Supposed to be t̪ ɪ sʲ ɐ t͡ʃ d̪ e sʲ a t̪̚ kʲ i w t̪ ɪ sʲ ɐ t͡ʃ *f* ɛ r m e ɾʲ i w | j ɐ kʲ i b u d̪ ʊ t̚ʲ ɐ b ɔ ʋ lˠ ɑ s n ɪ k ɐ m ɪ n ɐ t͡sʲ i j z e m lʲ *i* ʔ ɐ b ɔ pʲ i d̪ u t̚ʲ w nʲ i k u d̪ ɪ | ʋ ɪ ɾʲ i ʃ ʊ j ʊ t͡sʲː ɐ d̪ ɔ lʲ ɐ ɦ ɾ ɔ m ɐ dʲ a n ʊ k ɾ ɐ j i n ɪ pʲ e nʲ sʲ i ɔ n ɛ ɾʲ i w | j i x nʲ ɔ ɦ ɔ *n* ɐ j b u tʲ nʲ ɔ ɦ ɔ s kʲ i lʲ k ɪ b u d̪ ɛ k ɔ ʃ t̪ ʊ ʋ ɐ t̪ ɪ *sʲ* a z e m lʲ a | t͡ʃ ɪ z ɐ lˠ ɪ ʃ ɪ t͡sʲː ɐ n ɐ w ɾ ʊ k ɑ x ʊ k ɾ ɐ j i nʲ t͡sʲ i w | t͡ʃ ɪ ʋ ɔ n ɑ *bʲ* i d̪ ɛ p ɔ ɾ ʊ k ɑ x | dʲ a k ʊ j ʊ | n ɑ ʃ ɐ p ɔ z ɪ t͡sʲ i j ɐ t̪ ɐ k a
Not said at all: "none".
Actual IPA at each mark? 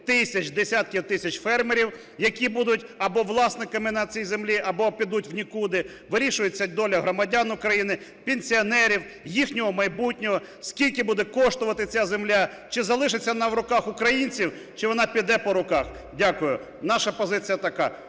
f, i, m, t͡sʲ, pʲ

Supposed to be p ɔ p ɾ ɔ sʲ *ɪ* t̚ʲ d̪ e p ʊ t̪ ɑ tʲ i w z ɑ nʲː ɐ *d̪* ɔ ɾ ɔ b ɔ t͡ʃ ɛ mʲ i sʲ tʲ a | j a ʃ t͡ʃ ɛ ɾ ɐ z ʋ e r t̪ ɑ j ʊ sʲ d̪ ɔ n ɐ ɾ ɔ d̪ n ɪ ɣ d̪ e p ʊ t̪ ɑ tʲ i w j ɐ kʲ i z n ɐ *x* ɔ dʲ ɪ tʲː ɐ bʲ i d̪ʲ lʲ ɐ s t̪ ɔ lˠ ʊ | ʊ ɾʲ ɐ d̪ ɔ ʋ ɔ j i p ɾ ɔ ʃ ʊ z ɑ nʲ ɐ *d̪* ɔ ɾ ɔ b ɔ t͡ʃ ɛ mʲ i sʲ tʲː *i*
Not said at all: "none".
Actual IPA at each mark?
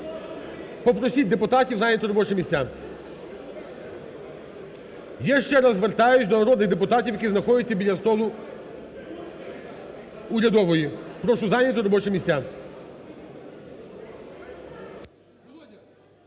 i, t̪, x, t̪, a

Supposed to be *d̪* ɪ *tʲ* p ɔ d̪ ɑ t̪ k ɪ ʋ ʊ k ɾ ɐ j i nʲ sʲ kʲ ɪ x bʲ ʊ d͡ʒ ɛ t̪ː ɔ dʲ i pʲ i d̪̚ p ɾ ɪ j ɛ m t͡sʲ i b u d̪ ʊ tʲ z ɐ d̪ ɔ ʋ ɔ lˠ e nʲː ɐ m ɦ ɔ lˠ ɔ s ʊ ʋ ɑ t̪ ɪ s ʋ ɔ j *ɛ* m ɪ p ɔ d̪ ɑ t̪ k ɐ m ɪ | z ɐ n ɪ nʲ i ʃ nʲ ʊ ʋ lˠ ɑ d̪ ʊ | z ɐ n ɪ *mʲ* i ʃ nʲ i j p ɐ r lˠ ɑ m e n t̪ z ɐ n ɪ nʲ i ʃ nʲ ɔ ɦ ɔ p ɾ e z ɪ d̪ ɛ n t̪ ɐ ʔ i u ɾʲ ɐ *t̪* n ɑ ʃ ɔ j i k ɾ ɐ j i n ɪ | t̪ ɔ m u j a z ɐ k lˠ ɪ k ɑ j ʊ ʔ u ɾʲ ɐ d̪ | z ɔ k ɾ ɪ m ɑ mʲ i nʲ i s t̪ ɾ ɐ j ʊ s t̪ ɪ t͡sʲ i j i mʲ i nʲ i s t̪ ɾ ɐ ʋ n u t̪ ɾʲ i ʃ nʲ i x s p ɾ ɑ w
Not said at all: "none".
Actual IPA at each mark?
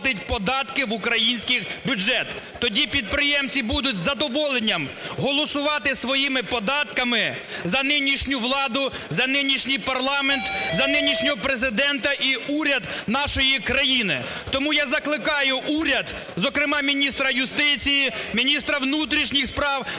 t̪, tʲ, i, nʲ, d̪

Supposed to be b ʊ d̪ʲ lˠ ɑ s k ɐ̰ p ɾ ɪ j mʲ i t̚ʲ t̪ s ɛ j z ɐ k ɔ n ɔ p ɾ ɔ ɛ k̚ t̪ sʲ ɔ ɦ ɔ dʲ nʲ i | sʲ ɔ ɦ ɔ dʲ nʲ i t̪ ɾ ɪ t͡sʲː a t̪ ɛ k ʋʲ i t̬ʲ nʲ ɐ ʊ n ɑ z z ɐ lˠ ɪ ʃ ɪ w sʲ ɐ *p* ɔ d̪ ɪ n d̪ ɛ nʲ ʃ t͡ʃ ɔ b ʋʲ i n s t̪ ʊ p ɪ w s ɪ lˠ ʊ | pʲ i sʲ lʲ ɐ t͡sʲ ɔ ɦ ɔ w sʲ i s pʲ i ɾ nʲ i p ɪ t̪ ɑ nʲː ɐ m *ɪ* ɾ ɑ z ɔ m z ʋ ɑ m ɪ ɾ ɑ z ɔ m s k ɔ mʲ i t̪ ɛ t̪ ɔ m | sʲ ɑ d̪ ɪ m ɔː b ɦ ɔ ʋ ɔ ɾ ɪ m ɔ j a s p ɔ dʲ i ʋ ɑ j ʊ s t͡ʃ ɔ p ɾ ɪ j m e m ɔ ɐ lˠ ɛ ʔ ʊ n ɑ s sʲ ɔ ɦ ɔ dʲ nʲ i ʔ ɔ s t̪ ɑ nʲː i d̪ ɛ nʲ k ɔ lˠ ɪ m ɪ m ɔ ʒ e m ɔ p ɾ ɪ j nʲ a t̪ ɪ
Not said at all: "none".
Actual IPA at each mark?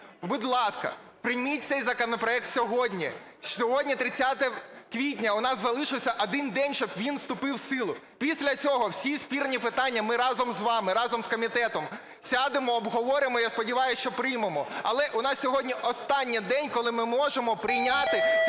ʔ, ɪ

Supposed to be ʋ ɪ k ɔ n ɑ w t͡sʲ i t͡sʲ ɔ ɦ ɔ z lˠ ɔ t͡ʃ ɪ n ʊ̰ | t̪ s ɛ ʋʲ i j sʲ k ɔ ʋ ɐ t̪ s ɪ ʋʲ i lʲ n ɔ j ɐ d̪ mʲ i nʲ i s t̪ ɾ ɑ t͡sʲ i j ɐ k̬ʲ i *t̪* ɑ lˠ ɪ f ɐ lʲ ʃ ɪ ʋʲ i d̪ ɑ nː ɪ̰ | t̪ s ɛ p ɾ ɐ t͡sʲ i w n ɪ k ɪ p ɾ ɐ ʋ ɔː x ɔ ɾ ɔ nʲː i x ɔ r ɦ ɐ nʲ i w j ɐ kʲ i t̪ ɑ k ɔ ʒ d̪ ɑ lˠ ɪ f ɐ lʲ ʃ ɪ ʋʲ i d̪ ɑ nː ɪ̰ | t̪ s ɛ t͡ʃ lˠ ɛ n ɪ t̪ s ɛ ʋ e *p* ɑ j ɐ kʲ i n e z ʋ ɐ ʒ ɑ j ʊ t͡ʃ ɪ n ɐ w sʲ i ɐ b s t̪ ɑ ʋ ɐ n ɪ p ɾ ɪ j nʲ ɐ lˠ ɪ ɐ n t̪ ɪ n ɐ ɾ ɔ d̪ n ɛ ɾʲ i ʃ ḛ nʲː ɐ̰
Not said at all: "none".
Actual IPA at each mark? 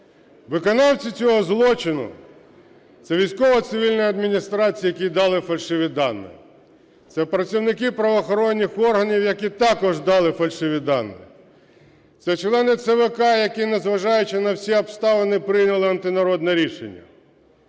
d̪, k

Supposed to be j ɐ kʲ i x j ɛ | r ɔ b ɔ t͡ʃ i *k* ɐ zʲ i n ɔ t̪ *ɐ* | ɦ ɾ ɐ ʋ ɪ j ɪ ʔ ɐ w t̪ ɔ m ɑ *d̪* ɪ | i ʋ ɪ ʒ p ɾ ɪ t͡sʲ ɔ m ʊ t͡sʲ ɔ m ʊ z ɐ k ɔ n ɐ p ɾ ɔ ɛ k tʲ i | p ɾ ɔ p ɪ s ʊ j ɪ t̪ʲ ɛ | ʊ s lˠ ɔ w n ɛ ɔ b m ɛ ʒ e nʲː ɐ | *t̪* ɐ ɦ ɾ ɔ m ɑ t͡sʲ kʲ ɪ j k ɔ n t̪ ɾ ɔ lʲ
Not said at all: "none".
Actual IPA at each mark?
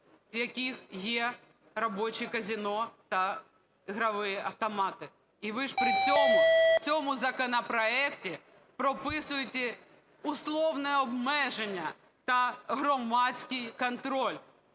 k, ɐ, t̪, t̪

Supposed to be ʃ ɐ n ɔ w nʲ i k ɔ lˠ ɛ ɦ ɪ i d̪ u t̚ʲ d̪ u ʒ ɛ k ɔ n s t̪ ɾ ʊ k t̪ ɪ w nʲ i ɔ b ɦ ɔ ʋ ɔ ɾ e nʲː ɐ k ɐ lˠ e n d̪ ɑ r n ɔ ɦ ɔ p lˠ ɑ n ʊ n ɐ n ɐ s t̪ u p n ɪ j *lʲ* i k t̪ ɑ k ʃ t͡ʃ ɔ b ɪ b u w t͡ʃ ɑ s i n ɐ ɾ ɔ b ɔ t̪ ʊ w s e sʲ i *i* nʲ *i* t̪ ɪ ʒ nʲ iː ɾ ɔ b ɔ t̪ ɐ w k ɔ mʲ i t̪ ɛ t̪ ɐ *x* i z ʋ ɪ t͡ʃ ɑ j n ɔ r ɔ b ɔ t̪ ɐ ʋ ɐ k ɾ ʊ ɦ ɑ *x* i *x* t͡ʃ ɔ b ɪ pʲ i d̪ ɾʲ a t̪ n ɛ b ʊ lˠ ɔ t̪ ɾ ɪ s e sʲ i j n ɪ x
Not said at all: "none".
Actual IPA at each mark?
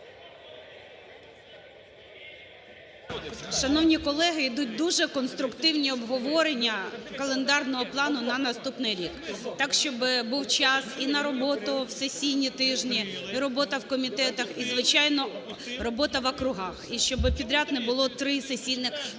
ɾʲ, j, i, x, x, ʃ

